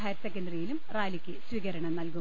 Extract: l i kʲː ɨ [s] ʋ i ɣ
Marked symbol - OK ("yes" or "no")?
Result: yes